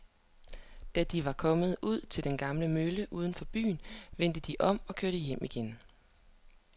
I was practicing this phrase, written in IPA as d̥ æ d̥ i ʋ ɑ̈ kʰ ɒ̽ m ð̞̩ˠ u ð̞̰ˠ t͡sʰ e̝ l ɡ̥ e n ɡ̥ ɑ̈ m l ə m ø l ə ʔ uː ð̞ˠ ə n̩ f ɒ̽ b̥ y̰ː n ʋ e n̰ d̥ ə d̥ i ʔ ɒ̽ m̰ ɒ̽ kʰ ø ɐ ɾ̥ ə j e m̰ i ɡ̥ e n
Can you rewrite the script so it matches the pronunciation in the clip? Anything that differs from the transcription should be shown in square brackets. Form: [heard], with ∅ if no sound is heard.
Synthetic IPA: d̥ æ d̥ i ʋ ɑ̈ kʰ ɒ̽ m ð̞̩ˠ u ð̞̰ˠ t͡sʰ e̝ l [d̥] e n ɡ̥ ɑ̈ m l ə m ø l ə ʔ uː ð̞ˠ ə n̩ f ɒ̽ b̥ y̰ː n ʋ e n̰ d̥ ə d̥ i ʔ ɒ̽ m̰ ɒ̽ kʰ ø ɐ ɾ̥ ə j e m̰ i ɡ̥ e n